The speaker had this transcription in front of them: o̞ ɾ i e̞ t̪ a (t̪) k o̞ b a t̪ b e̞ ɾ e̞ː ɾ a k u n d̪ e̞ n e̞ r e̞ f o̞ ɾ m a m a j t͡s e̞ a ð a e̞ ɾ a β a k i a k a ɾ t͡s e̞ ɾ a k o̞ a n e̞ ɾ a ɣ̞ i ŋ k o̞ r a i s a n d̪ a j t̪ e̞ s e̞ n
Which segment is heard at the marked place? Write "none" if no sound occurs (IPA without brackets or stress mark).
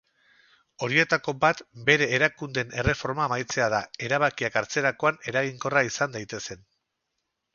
none